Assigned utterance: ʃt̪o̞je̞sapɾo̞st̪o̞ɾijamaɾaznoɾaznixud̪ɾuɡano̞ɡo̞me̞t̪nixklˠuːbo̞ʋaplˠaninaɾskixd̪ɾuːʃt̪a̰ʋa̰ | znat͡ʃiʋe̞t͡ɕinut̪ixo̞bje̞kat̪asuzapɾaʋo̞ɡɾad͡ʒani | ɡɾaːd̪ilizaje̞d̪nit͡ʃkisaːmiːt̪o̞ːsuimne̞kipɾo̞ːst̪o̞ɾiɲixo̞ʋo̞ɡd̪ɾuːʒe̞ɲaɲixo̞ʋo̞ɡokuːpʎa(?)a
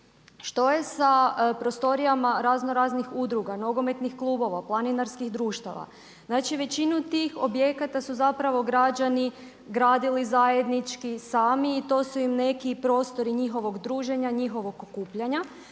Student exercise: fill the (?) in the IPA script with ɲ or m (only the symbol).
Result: ɲ